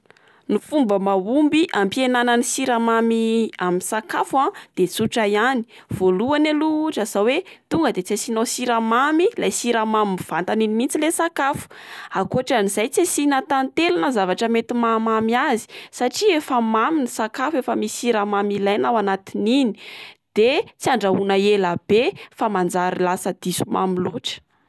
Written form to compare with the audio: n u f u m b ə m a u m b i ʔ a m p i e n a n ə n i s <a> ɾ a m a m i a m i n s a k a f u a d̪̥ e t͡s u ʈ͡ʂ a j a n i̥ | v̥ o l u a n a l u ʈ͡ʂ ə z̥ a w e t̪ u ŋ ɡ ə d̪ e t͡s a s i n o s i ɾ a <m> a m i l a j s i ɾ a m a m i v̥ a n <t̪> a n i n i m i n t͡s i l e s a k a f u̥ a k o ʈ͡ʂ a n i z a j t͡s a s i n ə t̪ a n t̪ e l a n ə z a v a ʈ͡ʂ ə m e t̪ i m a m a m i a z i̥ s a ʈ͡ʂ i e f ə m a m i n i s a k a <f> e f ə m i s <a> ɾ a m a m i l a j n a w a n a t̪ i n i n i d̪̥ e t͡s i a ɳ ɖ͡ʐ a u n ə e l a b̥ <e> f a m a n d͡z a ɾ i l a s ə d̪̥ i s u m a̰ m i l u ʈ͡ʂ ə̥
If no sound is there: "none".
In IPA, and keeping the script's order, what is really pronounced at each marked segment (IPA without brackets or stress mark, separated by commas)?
i, m, t̪, f, i, e